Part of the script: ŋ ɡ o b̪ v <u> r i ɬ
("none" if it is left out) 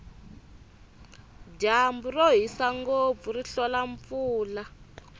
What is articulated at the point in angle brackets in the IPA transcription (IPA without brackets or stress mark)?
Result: u